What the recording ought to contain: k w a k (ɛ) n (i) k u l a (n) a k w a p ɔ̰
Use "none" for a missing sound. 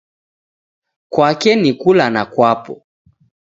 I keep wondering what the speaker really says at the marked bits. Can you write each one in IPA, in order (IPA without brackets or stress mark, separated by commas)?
ɛ, i, n